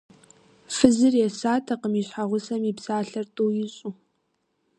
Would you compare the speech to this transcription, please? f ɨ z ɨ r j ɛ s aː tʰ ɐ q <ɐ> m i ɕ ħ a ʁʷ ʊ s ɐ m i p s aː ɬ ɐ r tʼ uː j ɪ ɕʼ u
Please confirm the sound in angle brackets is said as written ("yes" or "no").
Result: no